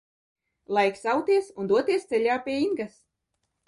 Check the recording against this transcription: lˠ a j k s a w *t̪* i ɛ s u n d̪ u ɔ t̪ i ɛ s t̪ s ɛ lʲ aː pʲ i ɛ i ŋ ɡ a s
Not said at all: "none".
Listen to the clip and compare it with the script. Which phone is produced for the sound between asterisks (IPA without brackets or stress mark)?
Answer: t̪